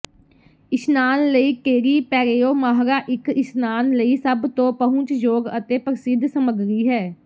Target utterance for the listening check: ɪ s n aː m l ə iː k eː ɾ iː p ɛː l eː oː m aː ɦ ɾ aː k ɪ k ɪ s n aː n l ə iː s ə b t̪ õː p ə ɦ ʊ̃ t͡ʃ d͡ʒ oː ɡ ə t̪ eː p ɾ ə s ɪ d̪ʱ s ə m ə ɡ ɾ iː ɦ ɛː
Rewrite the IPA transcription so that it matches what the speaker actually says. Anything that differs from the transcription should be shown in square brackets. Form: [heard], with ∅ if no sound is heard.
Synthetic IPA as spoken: ɪ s n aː [n] l ə iː k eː ɾ iː p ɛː [ɾ] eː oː m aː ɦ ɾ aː [ʔ] ɪ k ɪ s n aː n l ə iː s ə b t̪ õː p ə ɦ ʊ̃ t͡ʃ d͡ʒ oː ɡ ə t̪ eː p ɾ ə s ɪ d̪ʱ s ə m ə ɡ ɾ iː ɦ ɛː